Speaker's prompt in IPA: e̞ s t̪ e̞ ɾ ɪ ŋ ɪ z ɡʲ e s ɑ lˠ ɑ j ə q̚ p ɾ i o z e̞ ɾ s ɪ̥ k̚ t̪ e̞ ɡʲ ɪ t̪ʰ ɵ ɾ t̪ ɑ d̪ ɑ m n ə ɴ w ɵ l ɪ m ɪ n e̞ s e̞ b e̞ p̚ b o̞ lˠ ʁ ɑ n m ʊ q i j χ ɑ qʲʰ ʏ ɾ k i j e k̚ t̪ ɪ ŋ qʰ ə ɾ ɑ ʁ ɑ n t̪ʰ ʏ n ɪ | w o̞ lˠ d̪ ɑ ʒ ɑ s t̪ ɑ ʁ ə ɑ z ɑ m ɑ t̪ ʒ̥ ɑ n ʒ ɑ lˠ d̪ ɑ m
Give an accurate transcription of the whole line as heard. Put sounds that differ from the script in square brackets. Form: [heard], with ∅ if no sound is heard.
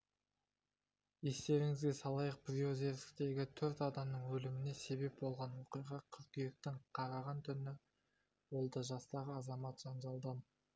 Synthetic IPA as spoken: e̞ s t̪ e̞ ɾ ɪ ŋ ɪ z ɡʲ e s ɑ lˠ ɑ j ə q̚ p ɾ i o z e̞ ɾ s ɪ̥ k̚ t̪ e̞ ɡʲ ɪ t̪ʰ ɵ ɾ t̪ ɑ d̪ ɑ m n ə ɴ w ɵ l ɪ m ɪ n e̞ s e̞ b e̞ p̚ b o̞ lˠ ʁ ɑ n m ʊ q i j [ʁ] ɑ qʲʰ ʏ ɾ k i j e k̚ t̪ ɪ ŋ qʰ [ɑ] ɾ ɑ ʁ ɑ n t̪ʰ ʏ n ɪ | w o̞ lˠ d̪ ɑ ʒ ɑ s t̪ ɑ ʁ ə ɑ z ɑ m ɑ t̪ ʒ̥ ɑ n ʒ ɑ lˠ d̪ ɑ m